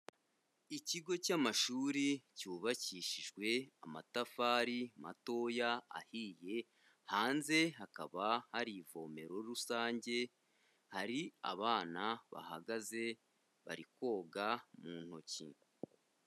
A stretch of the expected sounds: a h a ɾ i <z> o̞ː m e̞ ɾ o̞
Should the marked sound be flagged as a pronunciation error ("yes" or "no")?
yes